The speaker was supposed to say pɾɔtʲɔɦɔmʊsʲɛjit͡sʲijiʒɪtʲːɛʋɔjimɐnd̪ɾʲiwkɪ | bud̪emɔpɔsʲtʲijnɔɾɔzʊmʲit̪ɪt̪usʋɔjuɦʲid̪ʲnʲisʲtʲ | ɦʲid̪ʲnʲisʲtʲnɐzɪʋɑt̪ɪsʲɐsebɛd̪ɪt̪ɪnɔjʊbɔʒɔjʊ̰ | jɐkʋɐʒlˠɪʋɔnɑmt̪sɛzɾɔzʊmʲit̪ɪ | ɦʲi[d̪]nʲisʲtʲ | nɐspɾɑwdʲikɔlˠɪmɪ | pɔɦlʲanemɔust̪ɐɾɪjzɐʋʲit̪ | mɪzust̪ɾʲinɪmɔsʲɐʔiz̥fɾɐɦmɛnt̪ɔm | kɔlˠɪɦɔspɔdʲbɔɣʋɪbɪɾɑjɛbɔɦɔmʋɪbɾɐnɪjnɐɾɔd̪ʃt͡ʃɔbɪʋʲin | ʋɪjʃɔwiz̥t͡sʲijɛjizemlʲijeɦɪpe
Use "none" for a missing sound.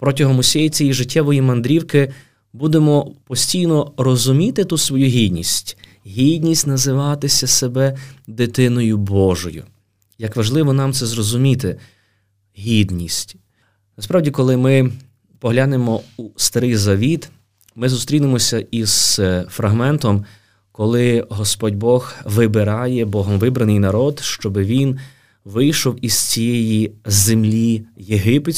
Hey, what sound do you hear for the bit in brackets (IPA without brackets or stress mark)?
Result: d̪